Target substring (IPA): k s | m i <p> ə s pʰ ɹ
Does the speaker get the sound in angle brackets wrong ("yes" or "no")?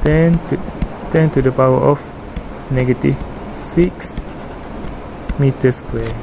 yes